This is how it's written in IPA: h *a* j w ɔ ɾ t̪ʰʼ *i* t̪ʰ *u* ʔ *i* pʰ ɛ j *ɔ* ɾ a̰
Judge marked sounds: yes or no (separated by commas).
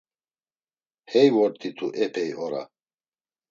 no, yes, yes, no, yes